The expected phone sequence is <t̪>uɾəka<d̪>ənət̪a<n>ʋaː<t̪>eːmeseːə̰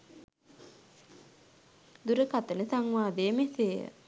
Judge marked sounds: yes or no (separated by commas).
no, no, no, no